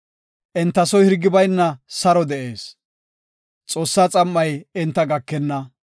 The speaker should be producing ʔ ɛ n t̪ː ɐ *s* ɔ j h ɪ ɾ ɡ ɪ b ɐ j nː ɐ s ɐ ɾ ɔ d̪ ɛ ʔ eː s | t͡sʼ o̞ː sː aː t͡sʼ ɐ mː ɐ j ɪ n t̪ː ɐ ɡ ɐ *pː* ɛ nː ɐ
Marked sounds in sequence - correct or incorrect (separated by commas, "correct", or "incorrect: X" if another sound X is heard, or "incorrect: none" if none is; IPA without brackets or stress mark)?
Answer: correct, incorrect: kː